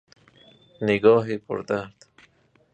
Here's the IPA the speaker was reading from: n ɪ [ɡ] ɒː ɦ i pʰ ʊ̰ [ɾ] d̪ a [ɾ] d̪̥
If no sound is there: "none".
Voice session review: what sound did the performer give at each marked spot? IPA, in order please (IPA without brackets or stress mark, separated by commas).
ɡ, ɾ, ɾ